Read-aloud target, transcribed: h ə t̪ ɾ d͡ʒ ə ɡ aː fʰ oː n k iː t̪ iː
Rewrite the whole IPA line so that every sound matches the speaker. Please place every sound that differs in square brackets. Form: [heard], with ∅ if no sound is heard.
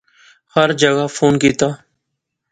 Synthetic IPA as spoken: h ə [∅] ɾ d͡ʒ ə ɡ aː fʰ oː n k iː t̪ [aː]